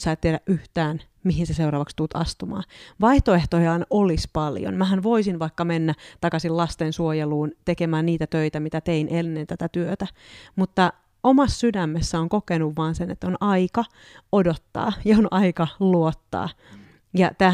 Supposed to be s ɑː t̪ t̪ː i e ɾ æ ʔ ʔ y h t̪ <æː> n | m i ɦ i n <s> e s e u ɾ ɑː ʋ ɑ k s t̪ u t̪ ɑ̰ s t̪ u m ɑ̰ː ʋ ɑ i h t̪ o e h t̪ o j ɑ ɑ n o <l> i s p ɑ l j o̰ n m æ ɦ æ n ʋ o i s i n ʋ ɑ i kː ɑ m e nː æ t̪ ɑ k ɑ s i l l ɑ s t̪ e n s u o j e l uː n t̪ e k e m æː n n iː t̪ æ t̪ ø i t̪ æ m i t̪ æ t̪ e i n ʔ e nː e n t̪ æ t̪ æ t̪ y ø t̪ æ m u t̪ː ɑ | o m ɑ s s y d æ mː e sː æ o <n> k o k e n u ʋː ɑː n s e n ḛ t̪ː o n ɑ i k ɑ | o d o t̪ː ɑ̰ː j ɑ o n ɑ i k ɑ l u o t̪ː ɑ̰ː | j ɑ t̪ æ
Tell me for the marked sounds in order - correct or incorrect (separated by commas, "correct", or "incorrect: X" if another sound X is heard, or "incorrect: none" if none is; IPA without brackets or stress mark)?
correct, correct, correct, incorrect: ŋ